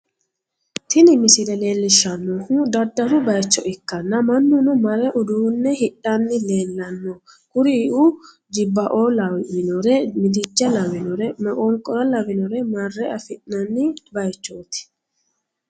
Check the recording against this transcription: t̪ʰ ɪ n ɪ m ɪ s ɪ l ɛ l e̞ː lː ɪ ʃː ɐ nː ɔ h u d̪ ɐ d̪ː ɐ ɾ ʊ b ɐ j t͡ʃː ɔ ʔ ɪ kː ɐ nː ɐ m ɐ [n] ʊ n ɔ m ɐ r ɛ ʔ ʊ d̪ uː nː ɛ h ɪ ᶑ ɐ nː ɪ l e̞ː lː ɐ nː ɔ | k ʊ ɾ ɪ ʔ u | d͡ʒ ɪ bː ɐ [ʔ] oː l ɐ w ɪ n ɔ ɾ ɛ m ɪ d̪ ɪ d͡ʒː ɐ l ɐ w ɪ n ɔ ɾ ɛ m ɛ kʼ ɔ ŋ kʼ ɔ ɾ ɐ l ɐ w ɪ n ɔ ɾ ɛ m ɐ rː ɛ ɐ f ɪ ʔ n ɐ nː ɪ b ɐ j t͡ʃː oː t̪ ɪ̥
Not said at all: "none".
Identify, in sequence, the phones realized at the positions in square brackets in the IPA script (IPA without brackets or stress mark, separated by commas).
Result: nː, ʔ